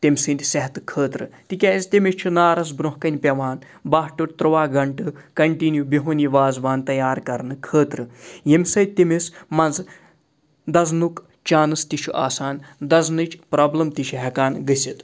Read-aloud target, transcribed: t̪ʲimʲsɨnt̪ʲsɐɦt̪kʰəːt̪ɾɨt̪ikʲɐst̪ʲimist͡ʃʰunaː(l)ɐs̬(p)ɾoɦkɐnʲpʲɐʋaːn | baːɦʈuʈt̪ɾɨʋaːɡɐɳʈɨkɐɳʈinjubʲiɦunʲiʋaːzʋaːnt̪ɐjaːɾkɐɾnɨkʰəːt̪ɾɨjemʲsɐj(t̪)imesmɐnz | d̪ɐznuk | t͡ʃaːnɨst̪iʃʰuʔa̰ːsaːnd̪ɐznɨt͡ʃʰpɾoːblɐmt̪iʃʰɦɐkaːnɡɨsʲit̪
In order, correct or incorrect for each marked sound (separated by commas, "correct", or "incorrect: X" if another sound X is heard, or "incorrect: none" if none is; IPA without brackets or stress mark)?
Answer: incorrect: ɾ, incorrect: b, correct